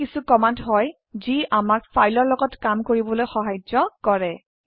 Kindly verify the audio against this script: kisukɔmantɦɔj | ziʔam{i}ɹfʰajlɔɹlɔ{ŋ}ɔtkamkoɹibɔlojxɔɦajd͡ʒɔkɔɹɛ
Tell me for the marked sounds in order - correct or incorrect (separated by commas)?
incorrect, incorrect